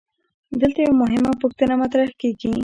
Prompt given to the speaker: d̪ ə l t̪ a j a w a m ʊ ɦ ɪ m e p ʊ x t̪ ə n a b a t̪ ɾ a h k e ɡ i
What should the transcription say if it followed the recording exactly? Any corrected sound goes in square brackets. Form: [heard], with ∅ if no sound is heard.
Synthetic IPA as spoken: d̪ ə l t̪ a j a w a m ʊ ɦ ɪ m [a] p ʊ x t̪ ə n a [m] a t̪ ɾ a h k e ɡ i